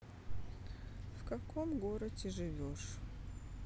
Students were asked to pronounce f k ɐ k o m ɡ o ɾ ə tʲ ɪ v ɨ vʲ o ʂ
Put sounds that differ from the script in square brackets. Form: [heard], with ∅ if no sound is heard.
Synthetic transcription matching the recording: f k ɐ k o m ɡ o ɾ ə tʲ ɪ [ʐ] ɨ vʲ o ʂ